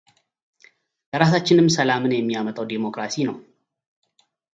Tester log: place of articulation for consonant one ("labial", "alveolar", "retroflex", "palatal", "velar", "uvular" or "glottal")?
alveolar